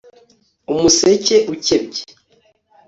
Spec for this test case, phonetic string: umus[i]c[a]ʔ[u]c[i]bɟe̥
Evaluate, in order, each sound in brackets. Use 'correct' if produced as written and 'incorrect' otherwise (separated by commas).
incorrect, incorrect, correct, incorrect